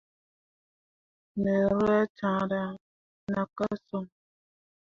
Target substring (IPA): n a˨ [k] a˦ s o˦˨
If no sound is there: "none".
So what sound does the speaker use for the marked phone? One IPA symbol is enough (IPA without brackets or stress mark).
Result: k